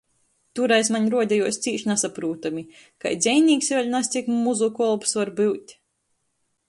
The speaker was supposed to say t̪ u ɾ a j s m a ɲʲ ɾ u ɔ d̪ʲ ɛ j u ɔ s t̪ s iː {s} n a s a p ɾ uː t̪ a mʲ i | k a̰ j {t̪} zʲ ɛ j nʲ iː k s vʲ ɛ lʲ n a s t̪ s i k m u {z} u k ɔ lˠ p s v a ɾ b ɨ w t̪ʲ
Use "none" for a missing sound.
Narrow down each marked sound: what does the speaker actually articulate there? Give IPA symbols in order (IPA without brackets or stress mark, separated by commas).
ʃ, d̪, z